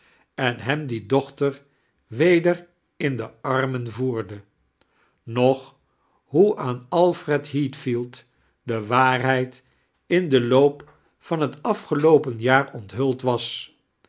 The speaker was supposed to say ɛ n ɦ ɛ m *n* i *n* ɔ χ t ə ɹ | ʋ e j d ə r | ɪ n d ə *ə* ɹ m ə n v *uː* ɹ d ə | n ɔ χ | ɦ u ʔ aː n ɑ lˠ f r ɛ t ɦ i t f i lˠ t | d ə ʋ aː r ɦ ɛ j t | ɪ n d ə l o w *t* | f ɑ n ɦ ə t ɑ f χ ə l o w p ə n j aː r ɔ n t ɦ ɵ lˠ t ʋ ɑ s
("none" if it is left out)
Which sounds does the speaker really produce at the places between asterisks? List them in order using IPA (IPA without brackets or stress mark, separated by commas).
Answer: d, d, ɑ, uː, p